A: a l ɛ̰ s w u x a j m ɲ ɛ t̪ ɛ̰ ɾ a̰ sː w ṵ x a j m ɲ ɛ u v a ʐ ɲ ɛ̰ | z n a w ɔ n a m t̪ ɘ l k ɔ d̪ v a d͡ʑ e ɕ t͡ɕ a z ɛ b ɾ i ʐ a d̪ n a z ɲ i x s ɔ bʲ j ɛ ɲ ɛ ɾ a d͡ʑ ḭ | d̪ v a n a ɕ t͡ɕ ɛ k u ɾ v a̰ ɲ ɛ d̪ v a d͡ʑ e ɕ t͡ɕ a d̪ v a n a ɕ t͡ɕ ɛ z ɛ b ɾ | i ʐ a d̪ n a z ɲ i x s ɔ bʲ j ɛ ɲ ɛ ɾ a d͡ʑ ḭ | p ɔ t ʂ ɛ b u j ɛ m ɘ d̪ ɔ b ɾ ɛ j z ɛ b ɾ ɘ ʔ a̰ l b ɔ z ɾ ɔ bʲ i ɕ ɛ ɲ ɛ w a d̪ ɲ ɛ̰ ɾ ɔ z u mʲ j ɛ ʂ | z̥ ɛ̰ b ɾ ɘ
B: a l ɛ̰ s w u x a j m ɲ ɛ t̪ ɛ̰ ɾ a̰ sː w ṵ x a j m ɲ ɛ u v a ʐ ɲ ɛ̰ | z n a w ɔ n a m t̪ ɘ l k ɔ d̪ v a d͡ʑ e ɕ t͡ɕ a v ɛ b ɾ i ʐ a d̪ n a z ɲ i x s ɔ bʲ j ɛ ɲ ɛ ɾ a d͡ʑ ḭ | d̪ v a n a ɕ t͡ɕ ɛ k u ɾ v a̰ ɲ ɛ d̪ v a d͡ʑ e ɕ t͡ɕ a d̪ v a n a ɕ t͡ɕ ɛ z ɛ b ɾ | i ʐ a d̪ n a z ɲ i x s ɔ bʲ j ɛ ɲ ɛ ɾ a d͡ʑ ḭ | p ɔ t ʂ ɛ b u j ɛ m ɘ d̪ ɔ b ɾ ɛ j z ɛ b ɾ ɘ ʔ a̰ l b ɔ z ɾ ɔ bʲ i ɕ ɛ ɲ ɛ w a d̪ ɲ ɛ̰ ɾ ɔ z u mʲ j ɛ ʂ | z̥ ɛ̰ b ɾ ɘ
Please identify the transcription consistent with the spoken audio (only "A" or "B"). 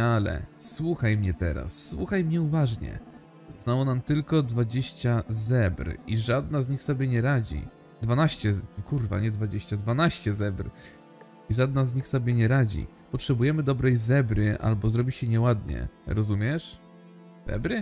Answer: A